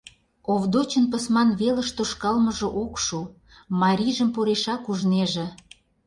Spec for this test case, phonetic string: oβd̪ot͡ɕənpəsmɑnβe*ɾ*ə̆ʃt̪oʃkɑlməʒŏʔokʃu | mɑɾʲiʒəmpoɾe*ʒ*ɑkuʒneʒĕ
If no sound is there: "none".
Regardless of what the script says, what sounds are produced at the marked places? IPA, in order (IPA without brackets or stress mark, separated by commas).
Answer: l, ʃ